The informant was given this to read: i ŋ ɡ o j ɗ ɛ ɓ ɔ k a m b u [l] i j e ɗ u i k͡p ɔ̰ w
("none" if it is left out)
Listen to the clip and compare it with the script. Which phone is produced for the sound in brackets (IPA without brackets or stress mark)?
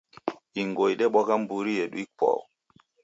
ɾ